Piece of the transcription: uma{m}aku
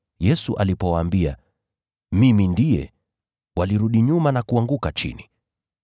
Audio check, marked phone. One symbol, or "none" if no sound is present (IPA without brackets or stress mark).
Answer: n